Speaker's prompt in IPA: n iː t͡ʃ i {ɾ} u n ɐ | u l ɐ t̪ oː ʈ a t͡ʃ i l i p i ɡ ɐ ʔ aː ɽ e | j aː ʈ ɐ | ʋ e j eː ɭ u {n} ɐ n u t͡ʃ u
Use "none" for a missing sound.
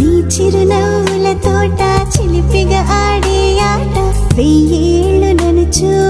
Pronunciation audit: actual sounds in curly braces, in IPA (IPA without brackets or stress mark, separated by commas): ɾ, n